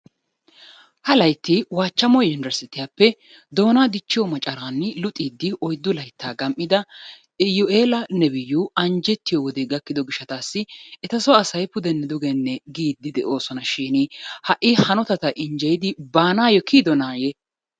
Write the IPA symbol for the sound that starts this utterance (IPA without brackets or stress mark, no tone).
h